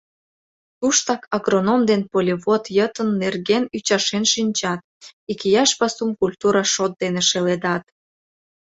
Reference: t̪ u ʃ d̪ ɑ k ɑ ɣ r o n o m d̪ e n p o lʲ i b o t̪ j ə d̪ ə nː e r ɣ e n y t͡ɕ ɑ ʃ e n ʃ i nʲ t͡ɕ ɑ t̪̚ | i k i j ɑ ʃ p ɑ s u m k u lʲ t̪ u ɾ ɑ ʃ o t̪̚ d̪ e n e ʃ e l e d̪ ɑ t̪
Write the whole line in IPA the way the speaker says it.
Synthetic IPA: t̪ u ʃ t̪ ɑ k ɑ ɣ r o n o m d̪ e n p o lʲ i β o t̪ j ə t̪ ə nː e r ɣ e n y t͡ɕ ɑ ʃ e n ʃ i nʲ t͡ɕ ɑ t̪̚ | i k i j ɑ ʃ p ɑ s u m k u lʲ t̪ u ɾ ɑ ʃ o t̪̚ d̪ e n e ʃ e l e d̪ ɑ t̪